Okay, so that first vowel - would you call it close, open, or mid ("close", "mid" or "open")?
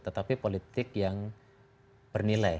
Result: mid